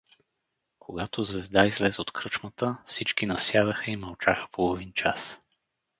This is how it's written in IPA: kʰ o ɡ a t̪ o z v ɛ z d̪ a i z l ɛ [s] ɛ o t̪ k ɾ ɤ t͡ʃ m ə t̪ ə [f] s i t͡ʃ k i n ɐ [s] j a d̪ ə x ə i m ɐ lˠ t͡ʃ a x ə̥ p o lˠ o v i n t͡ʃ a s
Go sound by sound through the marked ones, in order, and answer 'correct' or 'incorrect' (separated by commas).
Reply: incorrect, correct, correct